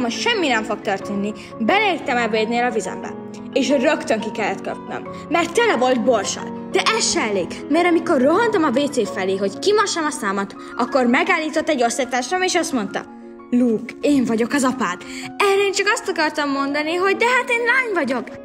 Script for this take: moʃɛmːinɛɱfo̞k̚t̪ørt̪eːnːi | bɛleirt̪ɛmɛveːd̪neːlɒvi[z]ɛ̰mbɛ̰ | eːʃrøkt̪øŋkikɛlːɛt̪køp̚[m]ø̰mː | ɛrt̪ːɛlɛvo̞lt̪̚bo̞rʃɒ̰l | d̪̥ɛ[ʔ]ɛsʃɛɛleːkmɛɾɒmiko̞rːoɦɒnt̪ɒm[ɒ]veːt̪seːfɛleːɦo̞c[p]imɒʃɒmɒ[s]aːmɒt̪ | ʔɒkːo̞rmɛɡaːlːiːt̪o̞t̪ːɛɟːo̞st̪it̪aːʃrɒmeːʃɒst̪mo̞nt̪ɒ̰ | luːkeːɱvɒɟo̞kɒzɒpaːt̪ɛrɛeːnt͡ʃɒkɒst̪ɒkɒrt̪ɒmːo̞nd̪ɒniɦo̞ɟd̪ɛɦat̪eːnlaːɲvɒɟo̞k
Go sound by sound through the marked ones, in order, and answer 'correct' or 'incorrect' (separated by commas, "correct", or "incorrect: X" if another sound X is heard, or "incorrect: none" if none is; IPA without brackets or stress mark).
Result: correct, incorrect: n, correct, correct, incorrect: k, correct